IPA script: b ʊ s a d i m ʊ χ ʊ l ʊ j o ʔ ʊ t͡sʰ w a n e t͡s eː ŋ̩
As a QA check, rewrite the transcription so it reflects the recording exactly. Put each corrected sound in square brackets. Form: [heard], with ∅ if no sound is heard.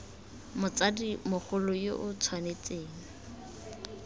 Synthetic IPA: [m] ʊ [t͡s] a d i m ʊ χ ʊ l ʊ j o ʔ ʊ t͡sʰ w a n e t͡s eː ŋ̩

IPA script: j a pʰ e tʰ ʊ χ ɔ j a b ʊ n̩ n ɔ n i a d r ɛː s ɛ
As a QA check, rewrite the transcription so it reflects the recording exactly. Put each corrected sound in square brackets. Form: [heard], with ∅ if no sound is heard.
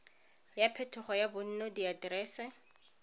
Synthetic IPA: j a pʰ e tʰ ʊ χ ɔ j a b ʊ n̩ n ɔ [d] i a d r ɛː s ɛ

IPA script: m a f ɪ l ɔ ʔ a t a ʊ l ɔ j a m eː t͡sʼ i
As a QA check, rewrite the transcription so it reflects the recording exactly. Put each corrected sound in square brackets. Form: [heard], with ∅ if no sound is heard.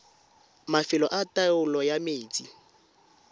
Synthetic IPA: m a f ɪ l ɔ ʔ a t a ʊ l ɔ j a m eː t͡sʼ i

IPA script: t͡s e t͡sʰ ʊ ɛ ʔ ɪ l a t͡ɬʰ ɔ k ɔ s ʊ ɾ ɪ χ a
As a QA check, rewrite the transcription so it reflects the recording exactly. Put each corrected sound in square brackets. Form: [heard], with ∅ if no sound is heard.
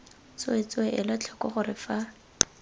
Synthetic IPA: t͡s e [t͡s] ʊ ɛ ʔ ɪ l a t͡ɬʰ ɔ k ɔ [χ] ʊ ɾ ɪ [f] a

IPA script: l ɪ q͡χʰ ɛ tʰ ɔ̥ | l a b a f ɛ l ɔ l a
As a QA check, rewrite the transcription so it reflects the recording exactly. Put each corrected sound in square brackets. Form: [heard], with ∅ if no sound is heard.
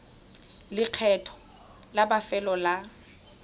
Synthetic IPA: l ɪ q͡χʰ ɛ tʰ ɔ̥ | l a b a f ɛ l ɔ l a

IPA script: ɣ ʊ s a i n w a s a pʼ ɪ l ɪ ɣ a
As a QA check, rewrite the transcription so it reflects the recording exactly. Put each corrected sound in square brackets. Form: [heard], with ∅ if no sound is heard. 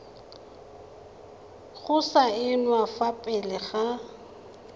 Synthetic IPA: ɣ ʊ s a [ɪ] n w a [f] a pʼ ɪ l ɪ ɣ a

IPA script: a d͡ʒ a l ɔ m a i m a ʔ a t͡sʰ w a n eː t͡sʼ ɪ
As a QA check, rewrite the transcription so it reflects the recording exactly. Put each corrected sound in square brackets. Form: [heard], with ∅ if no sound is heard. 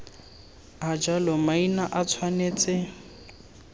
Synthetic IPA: a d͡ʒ a l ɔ m a i [n] a ʔ a t͡sʰ w a n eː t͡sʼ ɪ

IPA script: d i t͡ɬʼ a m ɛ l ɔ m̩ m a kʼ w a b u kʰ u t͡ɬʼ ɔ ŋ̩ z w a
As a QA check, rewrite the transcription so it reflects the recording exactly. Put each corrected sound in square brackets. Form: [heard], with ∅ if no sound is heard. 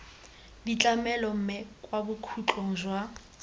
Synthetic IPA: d i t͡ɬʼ a m ɛ l ɔ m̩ m [ɛ] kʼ w a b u kʰ u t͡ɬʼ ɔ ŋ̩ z w a

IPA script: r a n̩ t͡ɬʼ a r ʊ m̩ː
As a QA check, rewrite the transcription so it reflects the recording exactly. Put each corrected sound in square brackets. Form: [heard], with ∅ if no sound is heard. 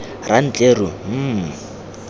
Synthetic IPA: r a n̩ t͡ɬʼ [e] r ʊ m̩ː

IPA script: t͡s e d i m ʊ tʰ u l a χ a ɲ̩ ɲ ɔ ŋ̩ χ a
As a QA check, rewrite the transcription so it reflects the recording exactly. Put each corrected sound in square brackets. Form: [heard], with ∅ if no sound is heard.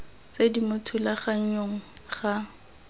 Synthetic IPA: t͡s e d i m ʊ tʰ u l a χ a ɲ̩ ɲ [o] ŋ̩ χ a

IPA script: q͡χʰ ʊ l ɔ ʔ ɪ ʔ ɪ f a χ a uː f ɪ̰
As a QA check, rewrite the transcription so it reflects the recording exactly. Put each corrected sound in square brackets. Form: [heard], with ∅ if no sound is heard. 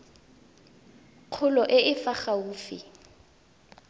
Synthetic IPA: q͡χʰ ʊ l ɔ ʔ ɪ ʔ ɪ f a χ a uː f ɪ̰

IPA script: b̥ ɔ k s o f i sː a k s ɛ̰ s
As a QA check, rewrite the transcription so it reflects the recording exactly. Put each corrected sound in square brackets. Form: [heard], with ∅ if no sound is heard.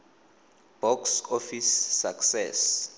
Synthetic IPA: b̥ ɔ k s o f i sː a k s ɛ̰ s

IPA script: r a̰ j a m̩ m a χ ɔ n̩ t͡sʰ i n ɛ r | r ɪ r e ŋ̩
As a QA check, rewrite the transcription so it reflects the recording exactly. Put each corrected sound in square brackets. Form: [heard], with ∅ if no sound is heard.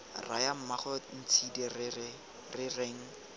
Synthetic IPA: r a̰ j a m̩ m a χ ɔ n̩ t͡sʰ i [d] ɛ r | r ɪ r e ŋ̩

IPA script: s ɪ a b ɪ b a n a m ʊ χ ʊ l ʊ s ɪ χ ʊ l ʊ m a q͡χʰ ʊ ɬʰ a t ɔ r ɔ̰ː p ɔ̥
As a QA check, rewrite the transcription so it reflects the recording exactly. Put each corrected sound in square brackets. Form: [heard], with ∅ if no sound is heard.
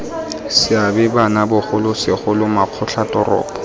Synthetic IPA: s ɪ a b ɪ b a n a [b] ʊ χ ʊ l ʊ s ɪ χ ʊ l ʊ m a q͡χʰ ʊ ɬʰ a t ɔ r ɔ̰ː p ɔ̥

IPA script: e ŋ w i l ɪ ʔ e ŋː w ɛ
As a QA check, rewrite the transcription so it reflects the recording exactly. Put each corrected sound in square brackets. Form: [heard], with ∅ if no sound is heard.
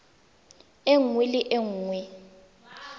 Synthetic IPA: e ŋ w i l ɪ ʔ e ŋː w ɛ

